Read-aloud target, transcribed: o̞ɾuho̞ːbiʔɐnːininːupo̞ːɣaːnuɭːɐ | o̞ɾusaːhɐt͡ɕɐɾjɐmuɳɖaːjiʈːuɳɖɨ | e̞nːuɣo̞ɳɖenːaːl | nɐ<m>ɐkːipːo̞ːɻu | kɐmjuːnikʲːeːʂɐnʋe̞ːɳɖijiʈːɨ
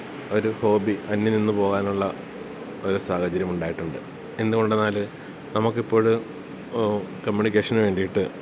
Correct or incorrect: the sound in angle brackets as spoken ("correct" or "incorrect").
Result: correct